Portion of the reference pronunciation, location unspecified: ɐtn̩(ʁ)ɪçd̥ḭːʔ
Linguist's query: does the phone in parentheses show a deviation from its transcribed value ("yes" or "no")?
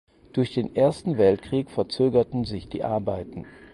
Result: yes